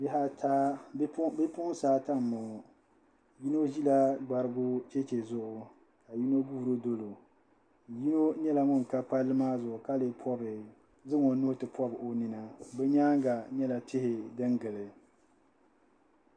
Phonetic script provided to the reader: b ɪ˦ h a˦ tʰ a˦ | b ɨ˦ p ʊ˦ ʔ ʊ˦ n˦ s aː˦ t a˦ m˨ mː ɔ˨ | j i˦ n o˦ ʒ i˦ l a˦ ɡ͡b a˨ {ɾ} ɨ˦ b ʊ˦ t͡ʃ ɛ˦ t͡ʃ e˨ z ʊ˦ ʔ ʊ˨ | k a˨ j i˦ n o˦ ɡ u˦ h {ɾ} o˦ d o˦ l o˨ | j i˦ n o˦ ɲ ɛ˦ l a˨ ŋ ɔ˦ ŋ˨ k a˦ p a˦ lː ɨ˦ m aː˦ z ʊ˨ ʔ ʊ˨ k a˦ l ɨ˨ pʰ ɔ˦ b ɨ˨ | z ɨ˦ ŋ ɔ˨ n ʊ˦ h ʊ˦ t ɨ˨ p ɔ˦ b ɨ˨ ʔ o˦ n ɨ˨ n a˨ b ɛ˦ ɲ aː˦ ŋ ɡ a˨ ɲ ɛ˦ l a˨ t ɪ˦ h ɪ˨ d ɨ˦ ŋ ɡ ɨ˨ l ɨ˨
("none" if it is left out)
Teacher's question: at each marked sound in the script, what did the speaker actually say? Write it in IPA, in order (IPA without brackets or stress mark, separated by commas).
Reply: ɾ, ɾ